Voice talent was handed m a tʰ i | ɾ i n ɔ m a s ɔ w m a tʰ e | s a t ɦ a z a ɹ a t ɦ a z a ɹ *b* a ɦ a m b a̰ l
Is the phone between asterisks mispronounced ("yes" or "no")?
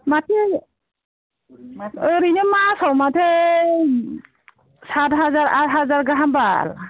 yes